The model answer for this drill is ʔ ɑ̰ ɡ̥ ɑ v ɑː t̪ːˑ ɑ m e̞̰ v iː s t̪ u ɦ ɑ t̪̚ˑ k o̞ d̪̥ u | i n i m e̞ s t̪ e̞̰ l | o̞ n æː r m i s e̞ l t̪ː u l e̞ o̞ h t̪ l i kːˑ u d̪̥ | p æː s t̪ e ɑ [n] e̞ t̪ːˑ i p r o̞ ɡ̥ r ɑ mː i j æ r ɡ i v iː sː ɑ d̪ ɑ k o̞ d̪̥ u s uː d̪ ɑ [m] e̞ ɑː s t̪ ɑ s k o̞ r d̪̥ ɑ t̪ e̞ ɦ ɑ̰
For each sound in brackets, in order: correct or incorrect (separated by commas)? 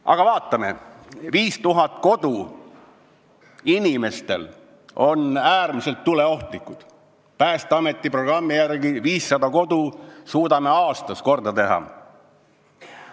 incorrect, correct